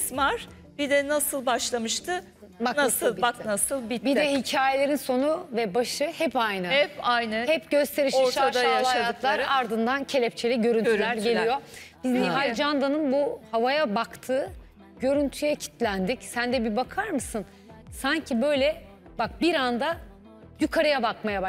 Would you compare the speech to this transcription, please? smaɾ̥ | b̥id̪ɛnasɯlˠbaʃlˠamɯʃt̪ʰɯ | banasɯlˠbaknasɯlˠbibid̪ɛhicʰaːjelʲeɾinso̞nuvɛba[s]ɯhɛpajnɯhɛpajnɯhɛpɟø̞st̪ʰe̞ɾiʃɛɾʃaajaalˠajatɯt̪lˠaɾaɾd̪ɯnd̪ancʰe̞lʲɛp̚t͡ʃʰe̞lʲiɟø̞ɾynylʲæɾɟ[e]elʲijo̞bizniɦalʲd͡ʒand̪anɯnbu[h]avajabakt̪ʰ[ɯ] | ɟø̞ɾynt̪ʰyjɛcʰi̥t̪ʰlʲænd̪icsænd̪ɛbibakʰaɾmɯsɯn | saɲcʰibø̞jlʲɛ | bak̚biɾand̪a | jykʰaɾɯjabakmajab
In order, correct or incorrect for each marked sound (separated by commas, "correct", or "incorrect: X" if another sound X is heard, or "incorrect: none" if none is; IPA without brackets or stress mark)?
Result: incorrect: ʃ, correct, correct, incorrect: ɯː